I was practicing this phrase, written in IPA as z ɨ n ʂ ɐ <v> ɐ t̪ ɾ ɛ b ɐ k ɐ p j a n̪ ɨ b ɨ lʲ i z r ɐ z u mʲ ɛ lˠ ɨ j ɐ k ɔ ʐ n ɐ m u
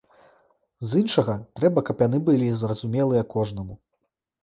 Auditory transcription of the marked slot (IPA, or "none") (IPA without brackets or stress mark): ɣ